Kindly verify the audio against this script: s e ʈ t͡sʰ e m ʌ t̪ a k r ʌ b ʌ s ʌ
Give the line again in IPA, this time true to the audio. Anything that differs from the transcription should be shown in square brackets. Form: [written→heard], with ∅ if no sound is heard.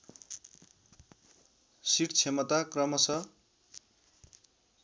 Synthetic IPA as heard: s [e→i] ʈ t͡sʰ e m ʌ t̪ a k r ʌ [b→m] ʌ s ʌ